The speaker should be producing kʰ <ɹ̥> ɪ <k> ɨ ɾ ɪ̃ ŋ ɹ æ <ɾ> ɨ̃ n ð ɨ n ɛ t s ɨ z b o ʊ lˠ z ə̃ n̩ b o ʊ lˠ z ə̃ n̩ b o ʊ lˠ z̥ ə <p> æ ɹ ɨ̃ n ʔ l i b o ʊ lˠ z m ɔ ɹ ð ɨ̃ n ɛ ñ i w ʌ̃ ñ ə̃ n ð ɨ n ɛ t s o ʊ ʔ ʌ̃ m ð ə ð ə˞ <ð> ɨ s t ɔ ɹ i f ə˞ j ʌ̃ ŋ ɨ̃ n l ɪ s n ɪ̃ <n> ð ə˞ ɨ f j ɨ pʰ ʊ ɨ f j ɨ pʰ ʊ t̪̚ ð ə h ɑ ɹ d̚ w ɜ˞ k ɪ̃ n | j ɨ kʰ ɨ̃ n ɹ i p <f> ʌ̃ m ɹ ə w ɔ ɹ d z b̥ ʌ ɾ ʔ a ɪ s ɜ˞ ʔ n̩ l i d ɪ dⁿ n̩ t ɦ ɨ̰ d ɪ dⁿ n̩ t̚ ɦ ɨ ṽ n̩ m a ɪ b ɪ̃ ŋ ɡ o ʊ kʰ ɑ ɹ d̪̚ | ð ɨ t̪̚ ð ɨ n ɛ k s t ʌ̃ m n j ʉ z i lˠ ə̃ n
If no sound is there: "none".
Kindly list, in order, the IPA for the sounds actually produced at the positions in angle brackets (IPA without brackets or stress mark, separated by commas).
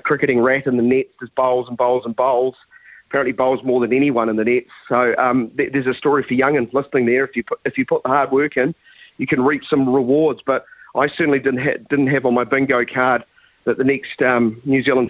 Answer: ɹ̥, k, ɾ, pʰ, z, ŋ, s